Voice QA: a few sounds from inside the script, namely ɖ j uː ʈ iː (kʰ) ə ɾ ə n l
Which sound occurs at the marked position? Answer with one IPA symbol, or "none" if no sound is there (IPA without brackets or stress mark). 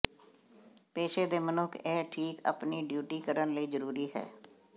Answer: k